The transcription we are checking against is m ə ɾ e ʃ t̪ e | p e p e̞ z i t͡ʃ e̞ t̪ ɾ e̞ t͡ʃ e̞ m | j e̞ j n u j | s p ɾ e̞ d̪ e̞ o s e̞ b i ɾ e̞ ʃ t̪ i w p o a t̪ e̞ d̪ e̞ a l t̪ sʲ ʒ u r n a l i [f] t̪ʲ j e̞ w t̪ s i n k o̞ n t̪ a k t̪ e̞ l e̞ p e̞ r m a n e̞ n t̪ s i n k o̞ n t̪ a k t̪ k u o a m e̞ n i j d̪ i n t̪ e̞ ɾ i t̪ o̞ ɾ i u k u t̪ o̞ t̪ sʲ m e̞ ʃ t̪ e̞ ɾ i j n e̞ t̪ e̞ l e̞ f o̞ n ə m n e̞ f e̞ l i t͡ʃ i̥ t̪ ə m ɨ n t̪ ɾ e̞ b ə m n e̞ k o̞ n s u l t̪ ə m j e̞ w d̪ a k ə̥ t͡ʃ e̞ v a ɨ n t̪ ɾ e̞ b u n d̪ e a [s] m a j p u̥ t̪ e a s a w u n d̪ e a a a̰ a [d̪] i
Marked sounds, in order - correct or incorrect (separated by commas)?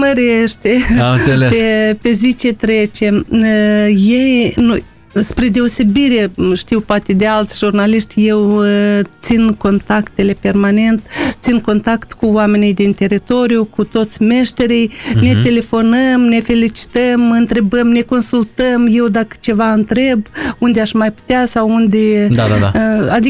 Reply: incorrect, incorrect, correct